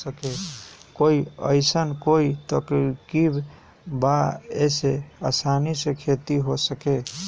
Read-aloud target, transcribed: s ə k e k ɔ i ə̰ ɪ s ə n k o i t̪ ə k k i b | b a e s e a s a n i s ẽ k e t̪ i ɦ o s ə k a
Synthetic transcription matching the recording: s ə k e k o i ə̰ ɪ s ə n k o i t̪ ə k k i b | b a e s e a s a n i s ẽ kʰ e t̪ i ɦ o s ə k e